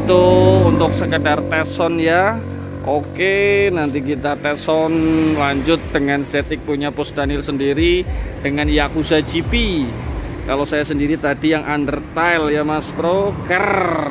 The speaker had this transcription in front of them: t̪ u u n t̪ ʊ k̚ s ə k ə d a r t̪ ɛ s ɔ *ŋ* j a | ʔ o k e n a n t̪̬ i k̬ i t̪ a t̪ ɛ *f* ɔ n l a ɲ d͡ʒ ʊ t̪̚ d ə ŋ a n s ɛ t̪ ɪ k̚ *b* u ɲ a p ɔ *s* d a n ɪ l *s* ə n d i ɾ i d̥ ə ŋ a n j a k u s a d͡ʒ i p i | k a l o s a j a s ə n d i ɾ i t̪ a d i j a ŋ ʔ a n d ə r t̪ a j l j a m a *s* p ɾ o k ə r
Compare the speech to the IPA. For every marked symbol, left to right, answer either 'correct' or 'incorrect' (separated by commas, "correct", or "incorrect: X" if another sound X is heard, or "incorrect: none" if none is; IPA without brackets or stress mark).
incorrect: n, incorrect: s, incorrect: p, correct, correct, correct